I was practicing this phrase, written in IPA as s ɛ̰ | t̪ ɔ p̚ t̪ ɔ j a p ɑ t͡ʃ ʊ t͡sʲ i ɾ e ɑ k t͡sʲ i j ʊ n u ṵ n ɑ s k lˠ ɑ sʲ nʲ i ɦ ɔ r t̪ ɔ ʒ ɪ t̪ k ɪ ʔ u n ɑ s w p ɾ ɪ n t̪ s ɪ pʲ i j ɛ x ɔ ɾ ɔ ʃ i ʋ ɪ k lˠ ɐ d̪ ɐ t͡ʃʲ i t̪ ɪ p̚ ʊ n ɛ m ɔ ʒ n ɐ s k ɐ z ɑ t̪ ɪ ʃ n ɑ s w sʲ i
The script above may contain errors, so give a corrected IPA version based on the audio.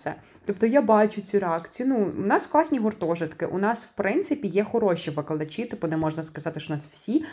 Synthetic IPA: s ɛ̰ | t̪ ɔ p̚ t̪ ɔ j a b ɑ t͡ʃ ʊ t͡sʲ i ɾ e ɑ k t͡sʲ i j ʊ n u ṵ n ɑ s k lˠ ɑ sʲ nʲ i ɦ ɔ r t̪ ɔ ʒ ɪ t̪ k ɪ ʔ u n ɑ s w p ɾ ɪ n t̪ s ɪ pʲ i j ɛ x ɔ ɾ ɔ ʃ i ʋ ɪ k lˠ ɐ d̪ ɐ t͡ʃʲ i t̪ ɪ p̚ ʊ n ɛ m ɔ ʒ n ɐ s k ɐ z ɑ t̪ ɪ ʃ n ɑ s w sʲ i